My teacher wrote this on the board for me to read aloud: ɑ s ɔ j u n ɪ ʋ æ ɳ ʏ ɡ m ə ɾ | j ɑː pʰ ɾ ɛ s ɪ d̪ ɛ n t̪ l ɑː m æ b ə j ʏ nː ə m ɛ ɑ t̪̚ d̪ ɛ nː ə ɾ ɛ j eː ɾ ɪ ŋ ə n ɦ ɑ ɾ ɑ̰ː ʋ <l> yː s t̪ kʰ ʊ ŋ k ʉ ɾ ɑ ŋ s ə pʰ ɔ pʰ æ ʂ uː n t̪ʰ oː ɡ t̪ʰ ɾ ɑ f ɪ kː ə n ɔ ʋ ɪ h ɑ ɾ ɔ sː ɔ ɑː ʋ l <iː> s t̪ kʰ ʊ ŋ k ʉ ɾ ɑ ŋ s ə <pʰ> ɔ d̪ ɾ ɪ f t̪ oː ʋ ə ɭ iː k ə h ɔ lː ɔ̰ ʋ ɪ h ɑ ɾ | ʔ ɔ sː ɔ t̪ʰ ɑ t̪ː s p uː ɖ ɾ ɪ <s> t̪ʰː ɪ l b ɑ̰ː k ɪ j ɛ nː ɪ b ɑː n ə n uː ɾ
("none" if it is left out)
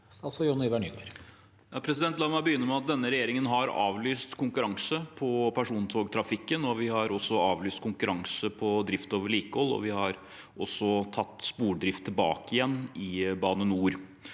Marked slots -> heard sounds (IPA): l, yː, pʰ, f

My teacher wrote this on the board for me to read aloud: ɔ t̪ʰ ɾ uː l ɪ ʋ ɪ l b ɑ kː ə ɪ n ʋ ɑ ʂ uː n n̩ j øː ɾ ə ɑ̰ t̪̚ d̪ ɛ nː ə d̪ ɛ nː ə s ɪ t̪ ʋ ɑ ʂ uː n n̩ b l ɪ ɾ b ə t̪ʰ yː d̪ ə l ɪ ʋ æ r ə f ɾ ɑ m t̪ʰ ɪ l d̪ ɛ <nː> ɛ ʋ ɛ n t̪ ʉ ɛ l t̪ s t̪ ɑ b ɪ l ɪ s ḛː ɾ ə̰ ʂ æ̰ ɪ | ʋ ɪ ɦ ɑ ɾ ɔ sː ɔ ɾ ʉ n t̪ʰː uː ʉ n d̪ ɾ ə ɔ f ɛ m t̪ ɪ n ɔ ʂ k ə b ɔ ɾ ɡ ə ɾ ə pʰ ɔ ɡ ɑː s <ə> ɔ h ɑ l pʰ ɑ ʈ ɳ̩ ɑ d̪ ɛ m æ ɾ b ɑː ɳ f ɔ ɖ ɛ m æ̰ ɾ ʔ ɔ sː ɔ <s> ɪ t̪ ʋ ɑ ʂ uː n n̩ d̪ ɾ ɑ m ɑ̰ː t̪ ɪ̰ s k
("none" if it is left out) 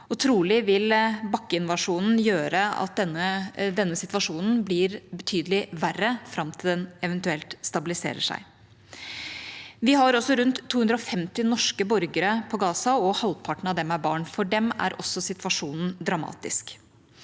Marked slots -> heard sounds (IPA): n, ɑ, s

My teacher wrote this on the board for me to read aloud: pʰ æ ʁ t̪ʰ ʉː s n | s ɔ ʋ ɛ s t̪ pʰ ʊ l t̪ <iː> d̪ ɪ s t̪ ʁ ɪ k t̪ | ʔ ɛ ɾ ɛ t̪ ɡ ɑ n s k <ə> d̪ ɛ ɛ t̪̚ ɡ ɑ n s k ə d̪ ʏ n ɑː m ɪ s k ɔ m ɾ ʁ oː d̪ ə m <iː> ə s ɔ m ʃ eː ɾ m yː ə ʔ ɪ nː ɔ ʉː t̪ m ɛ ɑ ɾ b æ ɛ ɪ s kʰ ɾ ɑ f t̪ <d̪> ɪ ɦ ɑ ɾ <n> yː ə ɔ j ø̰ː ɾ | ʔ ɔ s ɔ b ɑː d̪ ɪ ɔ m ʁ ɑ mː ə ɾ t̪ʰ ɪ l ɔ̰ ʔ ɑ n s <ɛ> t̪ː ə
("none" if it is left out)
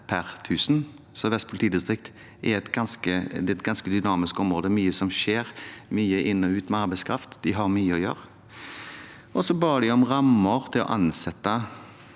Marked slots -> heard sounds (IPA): iː, ə, yː, d̪, m, ɛ

